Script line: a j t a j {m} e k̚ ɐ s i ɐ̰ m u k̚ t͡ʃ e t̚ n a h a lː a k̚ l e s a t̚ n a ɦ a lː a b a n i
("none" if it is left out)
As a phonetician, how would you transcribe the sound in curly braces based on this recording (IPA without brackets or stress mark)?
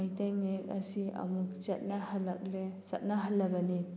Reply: m